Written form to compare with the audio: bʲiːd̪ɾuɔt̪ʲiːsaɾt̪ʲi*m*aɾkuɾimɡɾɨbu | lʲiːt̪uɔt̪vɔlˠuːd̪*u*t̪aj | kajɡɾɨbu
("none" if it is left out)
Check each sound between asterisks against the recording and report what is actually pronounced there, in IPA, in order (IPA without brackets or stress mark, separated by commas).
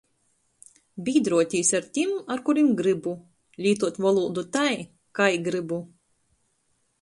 m, u